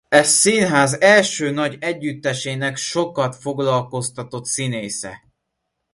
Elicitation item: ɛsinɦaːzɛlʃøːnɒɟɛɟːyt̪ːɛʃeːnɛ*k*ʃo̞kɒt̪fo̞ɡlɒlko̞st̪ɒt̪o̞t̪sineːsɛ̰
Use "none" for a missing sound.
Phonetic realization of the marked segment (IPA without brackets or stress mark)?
k